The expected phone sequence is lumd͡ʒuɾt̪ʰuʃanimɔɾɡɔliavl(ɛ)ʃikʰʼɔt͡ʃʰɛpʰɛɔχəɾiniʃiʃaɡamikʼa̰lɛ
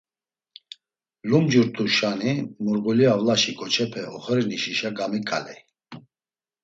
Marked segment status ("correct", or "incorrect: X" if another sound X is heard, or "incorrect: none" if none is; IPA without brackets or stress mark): incorrect: a